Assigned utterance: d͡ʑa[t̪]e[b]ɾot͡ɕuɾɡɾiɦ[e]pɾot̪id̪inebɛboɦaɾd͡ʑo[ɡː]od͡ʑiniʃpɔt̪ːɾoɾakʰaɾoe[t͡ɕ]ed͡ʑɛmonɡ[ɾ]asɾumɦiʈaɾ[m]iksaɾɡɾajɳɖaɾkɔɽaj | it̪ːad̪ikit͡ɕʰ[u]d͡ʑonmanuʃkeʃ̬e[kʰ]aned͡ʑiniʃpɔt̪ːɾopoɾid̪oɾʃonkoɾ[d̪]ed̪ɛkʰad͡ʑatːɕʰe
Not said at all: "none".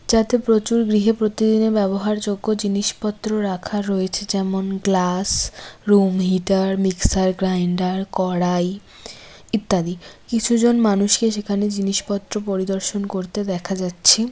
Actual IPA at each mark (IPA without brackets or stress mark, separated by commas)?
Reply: t̪, p, e, ɡː, t͡ɕʰ, l, m, u, kʰ, t̪